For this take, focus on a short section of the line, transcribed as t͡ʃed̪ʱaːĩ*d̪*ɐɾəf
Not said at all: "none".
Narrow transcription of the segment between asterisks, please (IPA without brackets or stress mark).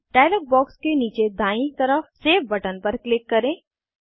t̪